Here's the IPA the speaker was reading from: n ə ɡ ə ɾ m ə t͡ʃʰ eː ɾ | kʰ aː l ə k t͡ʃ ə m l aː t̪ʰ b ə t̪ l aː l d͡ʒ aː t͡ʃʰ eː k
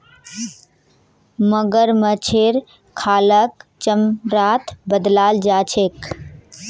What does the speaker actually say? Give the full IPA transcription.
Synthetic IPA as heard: m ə ɡ ə ɾ m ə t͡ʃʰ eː ɾ | kʰ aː l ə k t͡ʃ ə m ɾ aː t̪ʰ b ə d̪ l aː l d͡ʒ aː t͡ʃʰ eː k